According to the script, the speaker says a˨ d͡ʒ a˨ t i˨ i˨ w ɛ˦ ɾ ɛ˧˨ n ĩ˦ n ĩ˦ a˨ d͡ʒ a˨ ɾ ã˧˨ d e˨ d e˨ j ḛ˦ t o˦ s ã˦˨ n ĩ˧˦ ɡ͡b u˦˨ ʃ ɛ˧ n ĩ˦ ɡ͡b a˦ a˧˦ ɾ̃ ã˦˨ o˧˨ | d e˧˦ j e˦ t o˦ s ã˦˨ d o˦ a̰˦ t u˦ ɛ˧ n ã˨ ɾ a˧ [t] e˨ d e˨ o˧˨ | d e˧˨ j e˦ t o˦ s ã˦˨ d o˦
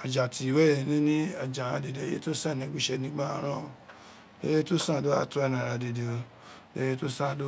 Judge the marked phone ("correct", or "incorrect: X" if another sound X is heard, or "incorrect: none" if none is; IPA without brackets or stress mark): incorrect: d